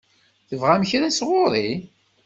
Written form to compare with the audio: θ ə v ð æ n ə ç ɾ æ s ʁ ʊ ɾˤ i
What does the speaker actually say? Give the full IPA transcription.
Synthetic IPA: θ ə v ʁ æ m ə ç ɾ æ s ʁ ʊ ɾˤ i